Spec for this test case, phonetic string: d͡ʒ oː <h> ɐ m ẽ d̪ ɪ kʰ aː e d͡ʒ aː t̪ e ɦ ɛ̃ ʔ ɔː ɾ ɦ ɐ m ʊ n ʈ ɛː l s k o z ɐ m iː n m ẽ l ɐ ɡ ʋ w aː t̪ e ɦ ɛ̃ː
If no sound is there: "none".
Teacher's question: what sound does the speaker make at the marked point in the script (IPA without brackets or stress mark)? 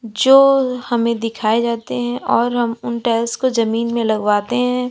h